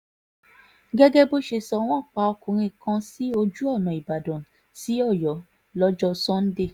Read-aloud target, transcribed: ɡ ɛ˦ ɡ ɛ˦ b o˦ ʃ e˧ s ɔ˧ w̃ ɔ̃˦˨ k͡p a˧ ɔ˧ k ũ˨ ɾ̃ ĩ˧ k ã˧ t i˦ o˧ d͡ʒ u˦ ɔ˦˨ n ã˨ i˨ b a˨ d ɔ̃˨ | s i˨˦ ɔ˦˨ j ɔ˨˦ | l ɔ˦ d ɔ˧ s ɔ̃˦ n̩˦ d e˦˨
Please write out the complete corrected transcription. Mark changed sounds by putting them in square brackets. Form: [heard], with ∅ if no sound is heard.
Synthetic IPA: ɡ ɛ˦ ɡ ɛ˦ b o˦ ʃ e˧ s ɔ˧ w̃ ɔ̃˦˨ k͡p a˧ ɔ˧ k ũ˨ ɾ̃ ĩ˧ k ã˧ [s] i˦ o˧ d͡ʒ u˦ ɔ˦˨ n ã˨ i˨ b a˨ d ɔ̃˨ | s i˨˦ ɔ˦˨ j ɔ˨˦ | l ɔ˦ [d͡ʒ] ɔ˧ s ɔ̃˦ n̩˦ d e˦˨